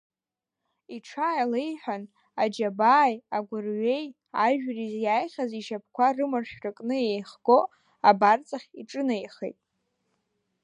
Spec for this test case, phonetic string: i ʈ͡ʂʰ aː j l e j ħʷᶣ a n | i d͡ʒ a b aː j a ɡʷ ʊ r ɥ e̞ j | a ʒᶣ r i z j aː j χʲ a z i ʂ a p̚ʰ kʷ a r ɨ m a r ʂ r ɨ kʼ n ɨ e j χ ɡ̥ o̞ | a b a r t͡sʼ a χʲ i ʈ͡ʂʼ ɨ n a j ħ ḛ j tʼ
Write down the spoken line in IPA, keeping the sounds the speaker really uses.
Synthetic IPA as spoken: i ʈ͡ʂʰ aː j l e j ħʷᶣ a n | a d͡ʒ a b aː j a ɡʷ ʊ r ɥ e̞ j | a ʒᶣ r i z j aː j χʲ a z i ʃ a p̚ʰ kʷ a r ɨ m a r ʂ r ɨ kʼ n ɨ e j χ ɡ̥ o̞ | a b a r t͡sʼ a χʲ i ʈ͡ʂʼ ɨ n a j χ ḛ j tʼ